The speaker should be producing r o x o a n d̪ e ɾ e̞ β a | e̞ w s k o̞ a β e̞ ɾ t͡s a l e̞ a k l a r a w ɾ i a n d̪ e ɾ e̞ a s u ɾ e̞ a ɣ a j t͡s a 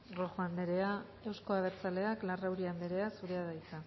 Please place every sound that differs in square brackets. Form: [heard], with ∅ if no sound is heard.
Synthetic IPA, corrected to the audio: r o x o a n d̪ e ɾ e̞ [∅] a | e̞ w s k o̞ a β e̞ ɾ t͡s a l e̞ a k l a r a w ɾ i a n d̪ e ɾ e̞ a s u ɾ e̞ a [ð] a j t͡s a

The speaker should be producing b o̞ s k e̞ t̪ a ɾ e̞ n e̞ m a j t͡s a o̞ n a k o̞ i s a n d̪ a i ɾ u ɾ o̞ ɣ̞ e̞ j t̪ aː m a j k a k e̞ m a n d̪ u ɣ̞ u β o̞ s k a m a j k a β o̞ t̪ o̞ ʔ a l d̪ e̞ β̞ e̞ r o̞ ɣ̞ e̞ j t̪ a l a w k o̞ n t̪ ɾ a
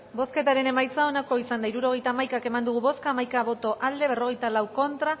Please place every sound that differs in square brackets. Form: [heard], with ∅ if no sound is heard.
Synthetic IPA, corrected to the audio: b o̞ s k e̞ t̪ a ɾ e̞ n e̞ m a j t͡s a o̞ n a k o̞ i s a n d̪ a i ɾ u ɾ o̞ ɣ̞ e̞ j t̪ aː m a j k a k e̞ m a n d̪ u ɣ̞ u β o̞ s k a m a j k a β o̞ t̪ o̞ ʔ a l d̪ e̞ β̞ e̞ r o̞ ɣ̞ e̞ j t̪ a l a w k o̞ n t̪ ɾ a

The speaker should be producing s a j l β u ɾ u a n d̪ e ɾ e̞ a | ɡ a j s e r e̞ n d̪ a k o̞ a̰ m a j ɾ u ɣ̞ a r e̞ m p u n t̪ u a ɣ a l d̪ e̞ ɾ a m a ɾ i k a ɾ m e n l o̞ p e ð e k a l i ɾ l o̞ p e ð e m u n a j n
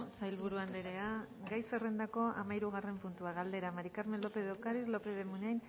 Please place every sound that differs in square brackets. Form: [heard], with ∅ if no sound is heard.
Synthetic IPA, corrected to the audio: s a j l β u ɾ u a n d̪ e ɾ e̞ a | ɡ a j s e r e̞ n d̪ a k o̞ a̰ m a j ɾ u ɣ̞ a r e̞ m p u n t̪ u a ɣ a l d̪ e̞ ɾ a m a ɾ i k a ɾ m e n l o̞ p e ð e k a [ɾ] i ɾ l o̞ p e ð e m u n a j n

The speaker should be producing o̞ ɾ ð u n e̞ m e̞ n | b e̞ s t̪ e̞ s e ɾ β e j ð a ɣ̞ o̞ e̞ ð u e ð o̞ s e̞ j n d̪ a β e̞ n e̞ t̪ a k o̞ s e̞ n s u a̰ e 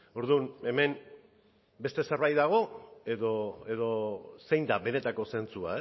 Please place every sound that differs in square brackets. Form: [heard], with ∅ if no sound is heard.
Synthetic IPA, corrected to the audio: o̞ ɾ ð u n e̞ m e̞ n | b e̞ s t̪ e̞ s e ɾ β [a] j ð a ɣ̞ o̞ e̞ ð [o] e ð o̞ s e̞ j n d̪ a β e̞ n e̞ t̪ a k o̞ s e̞ n [t͡s] u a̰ e

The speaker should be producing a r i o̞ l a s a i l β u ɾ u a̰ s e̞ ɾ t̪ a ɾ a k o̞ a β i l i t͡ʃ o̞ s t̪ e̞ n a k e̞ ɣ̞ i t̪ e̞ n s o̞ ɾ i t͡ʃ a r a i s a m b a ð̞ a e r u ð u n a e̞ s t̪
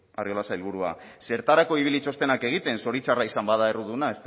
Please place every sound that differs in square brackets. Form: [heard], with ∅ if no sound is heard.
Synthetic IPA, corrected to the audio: a r i o̞ l a s a i l β u ɾ u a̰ s e̞ ɾ t̪ a ɾ a k o̞ [i] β i l i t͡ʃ o̞ s t̪ e̞ n a k e̞ ɣ̞ i t̪ e̞ n s o̞ ɾ i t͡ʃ a r a i s a m b a ð̞ a e r u ð u n a e̞ s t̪

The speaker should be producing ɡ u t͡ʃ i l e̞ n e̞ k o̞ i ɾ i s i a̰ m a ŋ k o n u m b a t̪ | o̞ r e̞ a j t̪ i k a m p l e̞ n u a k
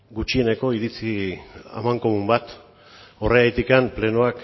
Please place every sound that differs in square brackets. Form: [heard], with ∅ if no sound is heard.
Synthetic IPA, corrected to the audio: ɡ u t͡ʃ i [∅] e̞ n e̞ k o̞ i ɾ i [t͡s] i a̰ m a ŋ k o [m] u m b a t̪ | o̞ r e̞ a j t̪ i k a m p l e̞ n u a k

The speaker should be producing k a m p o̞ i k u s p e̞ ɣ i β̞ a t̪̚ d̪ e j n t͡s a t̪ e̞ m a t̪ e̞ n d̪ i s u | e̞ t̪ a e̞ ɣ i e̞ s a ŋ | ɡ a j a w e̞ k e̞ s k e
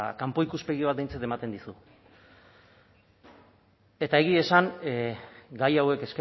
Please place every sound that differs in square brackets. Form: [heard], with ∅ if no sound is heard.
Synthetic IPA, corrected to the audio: k a m p o̞ i k u s p e̞ ɣ i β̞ a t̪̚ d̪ e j n t͡s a t̪ e̞ m a t̪ e̞ n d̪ i s u | e̞ t̪ a e̞ ɣ i e̞ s a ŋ | ɡ a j a w e̞ k e̞ s k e

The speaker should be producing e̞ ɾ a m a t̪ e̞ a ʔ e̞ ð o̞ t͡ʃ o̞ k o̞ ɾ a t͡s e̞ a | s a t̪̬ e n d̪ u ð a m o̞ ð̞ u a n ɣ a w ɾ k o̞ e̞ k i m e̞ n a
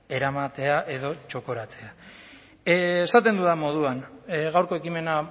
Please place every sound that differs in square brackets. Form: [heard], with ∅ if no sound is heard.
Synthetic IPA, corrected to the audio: e̞ ɾ a m a t̪ e̞ a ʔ e̞ ð o̞ t͡ʃ o̞ k o̞ ɾ a t͡s e̞ a | s a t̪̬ e n d̪ u ð a m o̞ ð̞ u a n ɣ a w ɾ k o̞ e̞ k i m e̞ n a

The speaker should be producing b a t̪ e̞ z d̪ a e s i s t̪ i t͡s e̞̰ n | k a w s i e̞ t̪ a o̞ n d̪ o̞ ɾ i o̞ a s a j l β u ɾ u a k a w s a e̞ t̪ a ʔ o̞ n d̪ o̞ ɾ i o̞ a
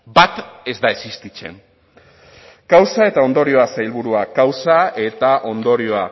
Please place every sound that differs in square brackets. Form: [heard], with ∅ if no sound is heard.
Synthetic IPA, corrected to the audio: b a t̪ e̞ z d̪ a e s i s t̪ i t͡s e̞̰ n | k a w s [a] e̞ t̪ a o̞ n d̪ o̞ ɾ i o̞ a s a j l β u ɾ u a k a w s a e̞ t̪ a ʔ o̞ n d̪ o̞ ɾ i o̞ a

